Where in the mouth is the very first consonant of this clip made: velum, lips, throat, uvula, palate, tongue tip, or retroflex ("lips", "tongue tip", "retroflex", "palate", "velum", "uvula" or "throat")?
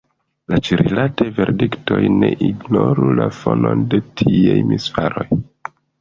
tongue tip